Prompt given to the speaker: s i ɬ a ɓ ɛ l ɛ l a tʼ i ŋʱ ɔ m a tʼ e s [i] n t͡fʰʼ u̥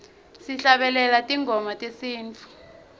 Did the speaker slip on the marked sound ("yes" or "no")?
yes